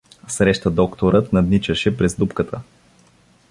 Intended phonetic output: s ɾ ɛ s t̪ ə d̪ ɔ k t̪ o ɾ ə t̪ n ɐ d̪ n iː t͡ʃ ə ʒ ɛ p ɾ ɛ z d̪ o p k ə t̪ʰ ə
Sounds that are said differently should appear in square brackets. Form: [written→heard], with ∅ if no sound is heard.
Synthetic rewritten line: s ɾ ɛ [s→ʃ] t̪ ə d̪ ɔ k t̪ o ɾ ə t̪ n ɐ d̪ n [iː→i] t͡ʃ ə [ʒ→ʃ] ɛ p ɾ ɛ z d̪ [o→u] p k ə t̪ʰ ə